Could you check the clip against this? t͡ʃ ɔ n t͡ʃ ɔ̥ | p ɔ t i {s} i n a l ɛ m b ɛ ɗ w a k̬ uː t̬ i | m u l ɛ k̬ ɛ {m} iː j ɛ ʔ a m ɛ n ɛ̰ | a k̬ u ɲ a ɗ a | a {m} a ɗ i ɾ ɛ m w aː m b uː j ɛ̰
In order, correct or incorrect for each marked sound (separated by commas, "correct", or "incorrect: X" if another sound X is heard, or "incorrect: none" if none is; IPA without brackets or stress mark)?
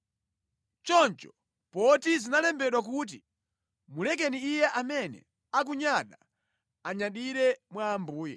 incorrect: z, incorrect: n, incorrect: ɲ